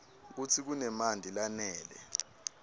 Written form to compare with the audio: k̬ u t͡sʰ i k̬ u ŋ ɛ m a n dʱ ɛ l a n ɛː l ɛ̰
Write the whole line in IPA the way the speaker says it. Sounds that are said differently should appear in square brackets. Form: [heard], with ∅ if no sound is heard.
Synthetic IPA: k̬ u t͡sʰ i k̬ u [n] ɛ m a n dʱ [i] l a n ɛː l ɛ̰

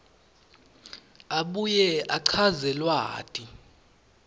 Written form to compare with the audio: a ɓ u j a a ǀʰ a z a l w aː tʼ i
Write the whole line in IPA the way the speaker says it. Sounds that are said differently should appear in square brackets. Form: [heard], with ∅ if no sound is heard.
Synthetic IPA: a ɓ u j [ɛ] a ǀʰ a z [ɛ] l w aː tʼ i

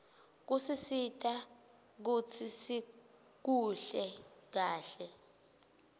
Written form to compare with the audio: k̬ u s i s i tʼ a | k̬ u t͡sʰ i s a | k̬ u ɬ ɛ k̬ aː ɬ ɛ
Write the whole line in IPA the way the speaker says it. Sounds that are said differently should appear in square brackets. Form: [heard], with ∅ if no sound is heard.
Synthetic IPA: k̬ u s i s i tʼ a | k̬ u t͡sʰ i s [i] | k̬ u ɬ ɛ k̬ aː ɬ ɛ

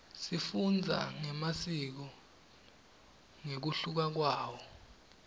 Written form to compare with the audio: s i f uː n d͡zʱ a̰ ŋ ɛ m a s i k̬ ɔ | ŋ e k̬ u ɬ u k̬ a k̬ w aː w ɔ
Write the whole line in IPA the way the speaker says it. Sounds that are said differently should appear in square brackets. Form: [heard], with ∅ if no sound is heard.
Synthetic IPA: s i f [u] n d͡zʱ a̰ ŋ ɛ m a s i k̬ ɔ | ŋ e k̬ u ɬ u k̬ a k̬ w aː w ɔ

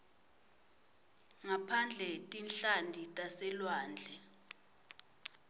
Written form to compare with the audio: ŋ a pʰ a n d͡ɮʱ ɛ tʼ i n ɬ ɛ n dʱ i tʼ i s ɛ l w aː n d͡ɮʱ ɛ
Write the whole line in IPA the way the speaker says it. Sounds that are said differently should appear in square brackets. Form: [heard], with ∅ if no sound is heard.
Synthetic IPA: ŋ a pʰ a n d͡ɮʱ ɛ tʼ i n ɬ [a] n dʱ i tʼ [a] s ɛ l w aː n d͡ɮʱ ɛ

